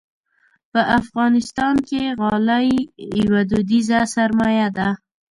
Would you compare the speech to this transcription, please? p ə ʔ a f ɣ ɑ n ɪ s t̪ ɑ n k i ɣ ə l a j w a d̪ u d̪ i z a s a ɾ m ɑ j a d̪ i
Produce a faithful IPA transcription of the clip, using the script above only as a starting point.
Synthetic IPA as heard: p ə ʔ a f ɣ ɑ n ɪ s t̪ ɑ n k e ɣ ɑ l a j w a d̪ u d̪ i z a s a ɾ m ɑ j a d̪ a